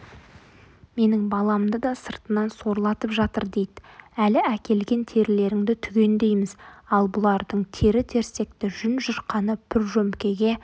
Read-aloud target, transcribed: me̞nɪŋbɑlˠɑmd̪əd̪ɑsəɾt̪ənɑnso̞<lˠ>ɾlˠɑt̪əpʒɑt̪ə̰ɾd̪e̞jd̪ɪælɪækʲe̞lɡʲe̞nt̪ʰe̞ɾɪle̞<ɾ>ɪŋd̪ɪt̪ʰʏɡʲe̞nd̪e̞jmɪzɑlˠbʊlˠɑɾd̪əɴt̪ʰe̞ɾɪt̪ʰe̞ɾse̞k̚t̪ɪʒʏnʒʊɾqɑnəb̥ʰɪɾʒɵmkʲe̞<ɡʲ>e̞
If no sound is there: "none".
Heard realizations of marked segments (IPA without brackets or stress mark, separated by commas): none, ɾ, ɡʲ